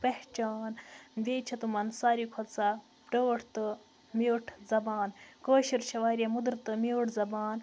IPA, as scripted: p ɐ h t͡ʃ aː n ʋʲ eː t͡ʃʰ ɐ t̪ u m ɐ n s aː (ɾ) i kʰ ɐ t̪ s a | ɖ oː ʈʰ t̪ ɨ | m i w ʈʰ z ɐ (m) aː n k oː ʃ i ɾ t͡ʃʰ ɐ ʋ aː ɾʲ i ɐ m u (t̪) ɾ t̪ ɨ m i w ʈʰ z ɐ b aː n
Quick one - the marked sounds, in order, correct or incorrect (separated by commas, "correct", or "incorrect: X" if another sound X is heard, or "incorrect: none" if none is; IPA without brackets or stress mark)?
correct, incorrect: b, incorrect: d̪